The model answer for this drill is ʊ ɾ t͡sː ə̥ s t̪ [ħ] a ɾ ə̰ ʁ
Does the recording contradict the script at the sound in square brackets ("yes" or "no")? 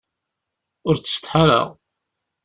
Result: no